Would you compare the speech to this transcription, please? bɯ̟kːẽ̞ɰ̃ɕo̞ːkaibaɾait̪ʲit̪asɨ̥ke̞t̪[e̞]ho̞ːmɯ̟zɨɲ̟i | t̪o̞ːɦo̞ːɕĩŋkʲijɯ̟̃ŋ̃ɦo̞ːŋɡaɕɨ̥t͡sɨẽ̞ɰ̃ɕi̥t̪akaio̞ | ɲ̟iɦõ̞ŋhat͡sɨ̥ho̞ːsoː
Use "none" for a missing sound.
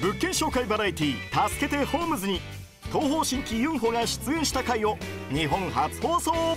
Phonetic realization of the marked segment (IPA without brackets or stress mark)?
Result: e̞